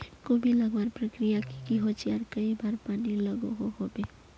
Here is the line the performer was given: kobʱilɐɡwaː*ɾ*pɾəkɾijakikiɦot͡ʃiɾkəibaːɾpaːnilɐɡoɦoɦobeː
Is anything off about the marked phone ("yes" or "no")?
no